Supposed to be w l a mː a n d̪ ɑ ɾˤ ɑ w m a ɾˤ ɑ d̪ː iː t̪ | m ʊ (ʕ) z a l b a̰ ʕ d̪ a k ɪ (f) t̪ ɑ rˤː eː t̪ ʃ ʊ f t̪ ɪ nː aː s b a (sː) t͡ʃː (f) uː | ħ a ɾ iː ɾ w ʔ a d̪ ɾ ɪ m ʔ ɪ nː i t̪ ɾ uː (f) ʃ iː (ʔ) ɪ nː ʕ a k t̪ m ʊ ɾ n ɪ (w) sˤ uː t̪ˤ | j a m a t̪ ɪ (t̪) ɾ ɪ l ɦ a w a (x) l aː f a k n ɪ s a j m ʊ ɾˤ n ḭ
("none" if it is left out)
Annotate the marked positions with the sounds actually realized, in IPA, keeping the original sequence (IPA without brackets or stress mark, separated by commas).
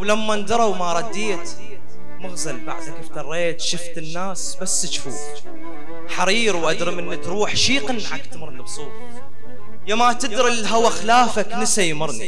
ɣ, f, sː, f, ħ, q, b, d̪, x